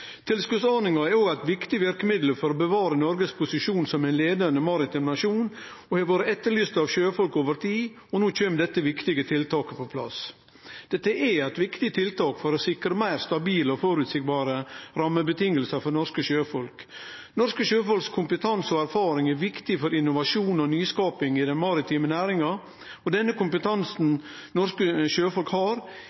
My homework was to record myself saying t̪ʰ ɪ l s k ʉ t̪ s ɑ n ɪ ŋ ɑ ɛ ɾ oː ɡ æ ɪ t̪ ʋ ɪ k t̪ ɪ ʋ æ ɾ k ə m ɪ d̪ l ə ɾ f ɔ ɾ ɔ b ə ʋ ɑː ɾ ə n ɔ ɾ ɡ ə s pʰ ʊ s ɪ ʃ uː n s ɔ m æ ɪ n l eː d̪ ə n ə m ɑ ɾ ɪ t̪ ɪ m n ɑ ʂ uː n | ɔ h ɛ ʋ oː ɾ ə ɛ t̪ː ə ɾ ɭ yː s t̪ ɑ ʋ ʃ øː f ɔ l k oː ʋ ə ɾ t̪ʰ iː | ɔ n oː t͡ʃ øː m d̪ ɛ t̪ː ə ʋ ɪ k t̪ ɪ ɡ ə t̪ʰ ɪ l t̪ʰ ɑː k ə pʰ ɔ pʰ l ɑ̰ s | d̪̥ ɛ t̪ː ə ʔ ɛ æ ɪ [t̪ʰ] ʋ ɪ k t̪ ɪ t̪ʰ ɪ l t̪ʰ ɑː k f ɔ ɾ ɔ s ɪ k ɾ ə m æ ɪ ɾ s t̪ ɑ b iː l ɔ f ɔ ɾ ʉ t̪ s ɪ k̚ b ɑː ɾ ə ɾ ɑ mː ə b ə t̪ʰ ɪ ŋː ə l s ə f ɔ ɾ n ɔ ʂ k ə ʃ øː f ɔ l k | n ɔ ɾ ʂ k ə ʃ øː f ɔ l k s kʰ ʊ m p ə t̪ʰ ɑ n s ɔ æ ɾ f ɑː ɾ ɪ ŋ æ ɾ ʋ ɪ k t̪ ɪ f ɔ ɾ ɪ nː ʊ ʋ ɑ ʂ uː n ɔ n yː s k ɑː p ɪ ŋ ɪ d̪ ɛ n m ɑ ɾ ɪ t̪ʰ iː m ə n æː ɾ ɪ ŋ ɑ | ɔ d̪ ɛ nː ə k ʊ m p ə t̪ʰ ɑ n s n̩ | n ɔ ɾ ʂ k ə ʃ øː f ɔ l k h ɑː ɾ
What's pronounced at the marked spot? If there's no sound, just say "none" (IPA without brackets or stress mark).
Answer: t̪